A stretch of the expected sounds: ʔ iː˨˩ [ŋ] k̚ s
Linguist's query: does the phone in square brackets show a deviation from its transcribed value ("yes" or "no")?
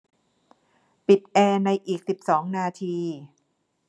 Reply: yes